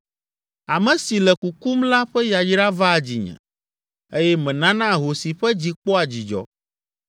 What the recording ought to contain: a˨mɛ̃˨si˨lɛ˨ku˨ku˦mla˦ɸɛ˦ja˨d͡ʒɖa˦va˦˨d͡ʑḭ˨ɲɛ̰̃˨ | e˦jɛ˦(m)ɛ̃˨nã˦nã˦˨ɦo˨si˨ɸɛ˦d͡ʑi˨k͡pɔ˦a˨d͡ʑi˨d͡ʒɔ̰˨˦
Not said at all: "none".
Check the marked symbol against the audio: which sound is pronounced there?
m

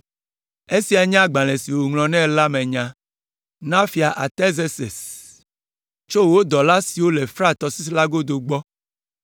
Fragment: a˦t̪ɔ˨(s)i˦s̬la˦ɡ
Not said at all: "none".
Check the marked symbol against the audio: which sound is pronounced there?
s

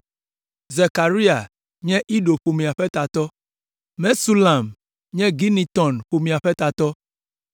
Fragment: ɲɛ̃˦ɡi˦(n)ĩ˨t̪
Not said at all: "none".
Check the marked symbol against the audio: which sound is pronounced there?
n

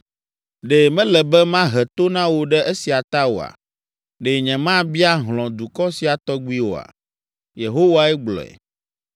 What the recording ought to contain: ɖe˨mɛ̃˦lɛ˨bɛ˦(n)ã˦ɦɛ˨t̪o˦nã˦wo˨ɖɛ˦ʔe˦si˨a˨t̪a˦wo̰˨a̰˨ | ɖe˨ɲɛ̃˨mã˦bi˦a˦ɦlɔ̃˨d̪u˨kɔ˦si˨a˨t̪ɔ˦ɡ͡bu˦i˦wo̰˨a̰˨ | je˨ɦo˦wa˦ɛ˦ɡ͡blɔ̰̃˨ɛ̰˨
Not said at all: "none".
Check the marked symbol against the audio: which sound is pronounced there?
m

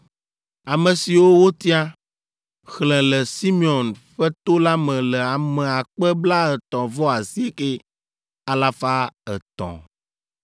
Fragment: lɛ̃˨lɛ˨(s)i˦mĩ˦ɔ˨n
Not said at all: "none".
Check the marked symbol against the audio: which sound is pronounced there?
s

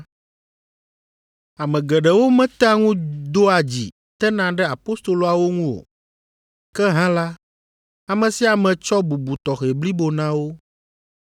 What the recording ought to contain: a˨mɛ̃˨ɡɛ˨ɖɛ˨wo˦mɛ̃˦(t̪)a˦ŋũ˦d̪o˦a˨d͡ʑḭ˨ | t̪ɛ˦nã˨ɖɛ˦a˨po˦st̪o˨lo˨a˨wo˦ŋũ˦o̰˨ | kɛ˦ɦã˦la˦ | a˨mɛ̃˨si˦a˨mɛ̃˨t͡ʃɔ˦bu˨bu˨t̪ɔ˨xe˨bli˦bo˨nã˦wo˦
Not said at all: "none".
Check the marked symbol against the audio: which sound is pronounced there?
t̪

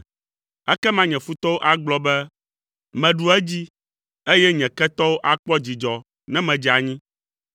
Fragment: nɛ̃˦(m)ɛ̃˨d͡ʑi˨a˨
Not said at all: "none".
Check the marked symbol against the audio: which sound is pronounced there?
m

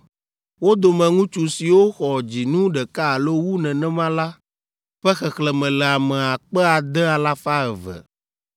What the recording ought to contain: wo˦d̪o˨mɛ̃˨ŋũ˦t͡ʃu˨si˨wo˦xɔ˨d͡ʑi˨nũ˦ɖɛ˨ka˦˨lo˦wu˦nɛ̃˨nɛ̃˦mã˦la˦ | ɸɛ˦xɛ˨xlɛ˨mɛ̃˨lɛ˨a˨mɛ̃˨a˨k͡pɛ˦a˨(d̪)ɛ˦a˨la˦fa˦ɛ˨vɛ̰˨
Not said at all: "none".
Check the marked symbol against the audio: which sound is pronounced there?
d̪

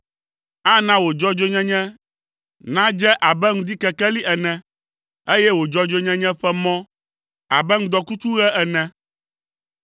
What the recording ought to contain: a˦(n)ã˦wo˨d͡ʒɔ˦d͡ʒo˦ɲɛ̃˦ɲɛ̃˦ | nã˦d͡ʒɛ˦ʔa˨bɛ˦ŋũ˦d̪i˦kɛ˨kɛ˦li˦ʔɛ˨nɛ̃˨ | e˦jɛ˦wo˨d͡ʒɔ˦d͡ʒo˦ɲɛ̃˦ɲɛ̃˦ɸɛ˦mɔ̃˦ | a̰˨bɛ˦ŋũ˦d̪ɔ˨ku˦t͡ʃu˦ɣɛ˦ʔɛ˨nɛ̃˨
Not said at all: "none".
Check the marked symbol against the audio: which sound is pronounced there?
n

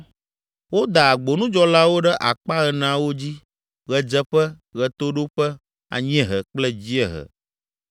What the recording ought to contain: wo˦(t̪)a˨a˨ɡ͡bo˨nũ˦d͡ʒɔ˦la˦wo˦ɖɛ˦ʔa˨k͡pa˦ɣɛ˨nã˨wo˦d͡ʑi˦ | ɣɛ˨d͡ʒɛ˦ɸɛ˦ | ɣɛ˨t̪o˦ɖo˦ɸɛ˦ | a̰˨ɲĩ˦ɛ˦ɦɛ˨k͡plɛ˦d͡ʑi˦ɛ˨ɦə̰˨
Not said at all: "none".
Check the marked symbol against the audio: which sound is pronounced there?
d̪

